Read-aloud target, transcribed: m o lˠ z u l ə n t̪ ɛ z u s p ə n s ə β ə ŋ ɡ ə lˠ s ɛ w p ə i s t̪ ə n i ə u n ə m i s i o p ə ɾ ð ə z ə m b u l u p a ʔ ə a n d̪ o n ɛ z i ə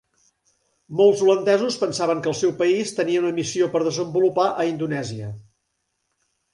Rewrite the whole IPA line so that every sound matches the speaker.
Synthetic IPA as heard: m o lˠ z u l ə n d̪ ɛ z u s p ə n s a β ə ŋ k ə lˠ s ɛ w p ə i s t̪ ə n i ə u n ə m i s i o p ə ɾ ð ə z ə m b u l u p a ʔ ə i n d̪ u n ɛ z i ə